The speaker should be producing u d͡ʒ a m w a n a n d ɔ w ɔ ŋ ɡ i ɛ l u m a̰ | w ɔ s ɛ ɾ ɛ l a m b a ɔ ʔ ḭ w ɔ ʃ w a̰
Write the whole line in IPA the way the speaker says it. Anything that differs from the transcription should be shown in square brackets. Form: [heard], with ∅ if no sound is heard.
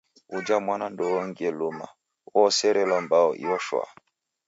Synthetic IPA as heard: u d͡ʒ a m w a n a n d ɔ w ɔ ŋ ɡ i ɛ l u m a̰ | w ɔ s ɛ ɾ ɛ l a m b a ɔ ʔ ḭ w ɔ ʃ w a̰